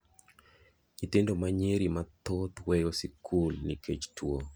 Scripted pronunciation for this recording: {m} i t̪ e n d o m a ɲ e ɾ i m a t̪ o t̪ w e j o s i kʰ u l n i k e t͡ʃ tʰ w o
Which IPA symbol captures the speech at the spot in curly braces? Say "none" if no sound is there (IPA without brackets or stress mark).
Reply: ɲ